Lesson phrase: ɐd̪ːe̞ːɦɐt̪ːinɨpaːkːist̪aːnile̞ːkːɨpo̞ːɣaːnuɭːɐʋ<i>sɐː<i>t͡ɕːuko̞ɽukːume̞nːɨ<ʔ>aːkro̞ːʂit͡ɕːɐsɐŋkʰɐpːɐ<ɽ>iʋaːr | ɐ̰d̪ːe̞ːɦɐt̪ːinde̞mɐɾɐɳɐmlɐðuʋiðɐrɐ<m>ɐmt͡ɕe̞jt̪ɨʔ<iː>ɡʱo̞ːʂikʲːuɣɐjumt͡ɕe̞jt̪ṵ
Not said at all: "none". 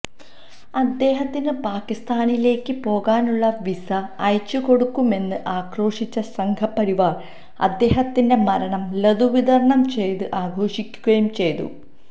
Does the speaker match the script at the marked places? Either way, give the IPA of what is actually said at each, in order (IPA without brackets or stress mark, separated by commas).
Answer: i, j, ʔ, ɾ, ɳ, aː